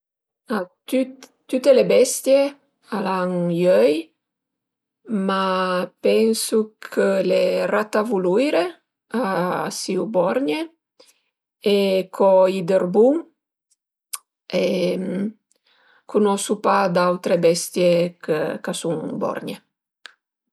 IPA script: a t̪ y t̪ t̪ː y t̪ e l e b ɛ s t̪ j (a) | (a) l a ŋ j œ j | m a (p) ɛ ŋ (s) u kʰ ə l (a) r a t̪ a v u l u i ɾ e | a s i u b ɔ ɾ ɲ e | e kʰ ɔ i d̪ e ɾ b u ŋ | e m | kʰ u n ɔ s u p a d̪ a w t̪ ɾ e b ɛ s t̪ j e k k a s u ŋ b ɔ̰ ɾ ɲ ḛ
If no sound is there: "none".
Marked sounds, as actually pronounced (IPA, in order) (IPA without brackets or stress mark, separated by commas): e, a, p, s, e